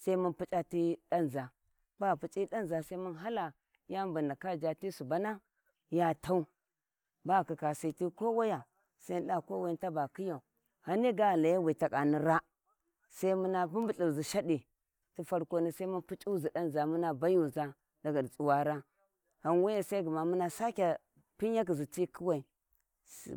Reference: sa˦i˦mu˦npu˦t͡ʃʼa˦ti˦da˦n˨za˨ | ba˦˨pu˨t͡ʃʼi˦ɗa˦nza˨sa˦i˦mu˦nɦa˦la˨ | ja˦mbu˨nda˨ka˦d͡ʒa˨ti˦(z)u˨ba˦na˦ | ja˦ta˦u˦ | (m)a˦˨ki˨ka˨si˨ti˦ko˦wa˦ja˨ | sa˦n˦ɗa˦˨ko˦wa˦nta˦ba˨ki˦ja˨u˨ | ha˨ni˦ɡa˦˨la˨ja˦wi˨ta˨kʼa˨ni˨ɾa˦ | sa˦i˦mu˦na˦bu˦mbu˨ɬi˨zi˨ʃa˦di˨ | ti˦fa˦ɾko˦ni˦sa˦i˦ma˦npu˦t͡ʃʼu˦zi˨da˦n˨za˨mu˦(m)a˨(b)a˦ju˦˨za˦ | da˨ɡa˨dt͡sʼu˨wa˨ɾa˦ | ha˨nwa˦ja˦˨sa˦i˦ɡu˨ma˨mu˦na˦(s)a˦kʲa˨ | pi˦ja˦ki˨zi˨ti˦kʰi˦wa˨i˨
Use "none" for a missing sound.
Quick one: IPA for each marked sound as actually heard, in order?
s, b, n, b, s

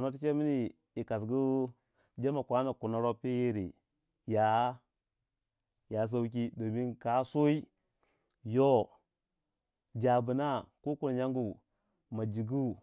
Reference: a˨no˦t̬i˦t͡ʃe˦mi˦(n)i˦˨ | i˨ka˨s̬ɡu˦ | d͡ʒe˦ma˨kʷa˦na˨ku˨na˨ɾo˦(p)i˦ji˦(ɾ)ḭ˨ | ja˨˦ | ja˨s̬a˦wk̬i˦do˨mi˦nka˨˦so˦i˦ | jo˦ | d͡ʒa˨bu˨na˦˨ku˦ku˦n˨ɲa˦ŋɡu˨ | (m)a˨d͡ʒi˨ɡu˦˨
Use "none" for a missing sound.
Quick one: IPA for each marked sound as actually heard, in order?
n, p, ɾ, m

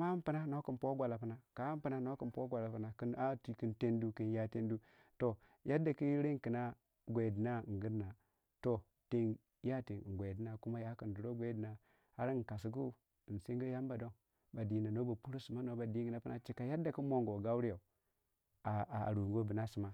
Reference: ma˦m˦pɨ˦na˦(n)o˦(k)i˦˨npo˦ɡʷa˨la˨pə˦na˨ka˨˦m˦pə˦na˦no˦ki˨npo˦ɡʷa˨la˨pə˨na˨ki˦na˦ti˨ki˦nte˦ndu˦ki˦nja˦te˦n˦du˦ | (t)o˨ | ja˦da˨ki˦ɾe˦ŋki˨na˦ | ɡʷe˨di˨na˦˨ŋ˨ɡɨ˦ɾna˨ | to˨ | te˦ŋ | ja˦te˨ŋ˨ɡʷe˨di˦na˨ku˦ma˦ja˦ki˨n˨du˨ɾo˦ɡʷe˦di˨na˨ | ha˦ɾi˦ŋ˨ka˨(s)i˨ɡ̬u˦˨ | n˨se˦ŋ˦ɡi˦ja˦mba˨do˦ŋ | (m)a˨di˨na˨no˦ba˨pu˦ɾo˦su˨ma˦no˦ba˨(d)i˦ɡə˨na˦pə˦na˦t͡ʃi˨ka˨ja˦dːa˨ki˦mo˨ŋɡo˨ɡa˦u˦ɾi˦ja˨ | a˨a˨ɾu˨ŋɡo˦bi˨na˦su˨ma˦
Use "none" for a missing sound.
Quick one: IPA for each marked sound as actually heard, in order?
n, k, t, s, b, d

